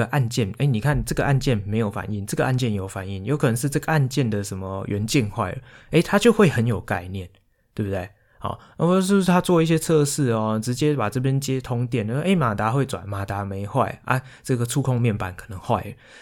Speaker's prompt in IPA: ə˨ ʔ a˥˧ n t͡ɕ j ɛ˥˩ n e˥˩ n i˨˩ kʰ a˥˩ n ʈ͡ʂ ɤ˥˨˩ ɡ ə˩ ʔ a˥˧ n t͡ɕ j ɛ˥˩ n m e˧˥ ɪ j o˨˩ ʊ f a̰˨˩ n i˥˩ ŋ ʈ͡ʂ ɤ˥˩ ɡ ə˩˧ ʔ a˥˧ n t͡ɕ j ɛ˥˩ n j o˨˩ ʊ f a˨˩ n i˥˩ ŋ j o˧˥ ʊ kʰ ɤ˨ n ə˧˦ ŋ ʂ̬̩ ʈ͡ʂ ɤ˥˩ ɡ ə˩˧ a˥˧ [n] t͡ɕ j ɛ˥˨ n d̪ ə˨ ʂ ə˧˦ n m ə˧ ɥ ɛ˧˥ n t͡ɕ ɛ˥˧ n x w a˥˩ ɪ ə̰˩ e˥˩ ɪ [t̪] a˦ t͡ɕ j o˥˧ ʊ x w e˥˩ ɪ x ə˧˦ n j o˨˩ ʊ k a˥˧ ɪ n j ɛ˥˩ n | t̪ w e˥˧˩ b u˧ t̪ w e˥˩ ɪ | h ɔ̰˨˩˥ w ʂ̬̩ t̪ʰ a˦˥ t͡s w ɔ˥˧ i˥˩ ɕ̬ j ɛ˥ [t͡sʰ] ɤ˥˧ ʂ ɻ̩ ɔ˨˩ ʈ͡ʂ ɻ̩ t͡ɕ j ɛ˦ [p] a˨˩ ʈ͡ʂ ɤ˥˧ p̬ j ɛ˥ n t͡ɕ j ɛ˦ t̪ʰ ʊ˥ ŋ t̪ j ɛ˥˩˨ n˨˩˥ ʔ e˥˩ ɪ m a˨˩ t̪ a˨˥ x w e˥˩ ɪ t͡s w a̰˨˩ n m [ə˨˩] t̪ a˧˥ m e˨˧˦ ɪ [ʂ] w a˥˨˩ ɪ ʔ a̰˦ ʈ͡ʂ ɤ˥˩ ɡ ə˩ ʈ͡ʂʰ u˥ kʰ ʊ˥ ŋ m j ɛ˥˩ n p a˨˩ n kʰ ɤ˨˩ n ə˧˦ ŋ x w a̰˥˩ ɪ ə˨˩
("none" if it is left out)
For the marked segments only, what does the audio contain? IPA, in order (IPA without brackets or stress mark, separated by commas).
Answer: n, t̪ʰ, t͡sʰ, p, a˨˩, x